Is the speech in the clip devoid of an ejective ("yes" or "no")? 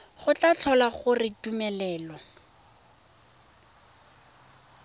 yes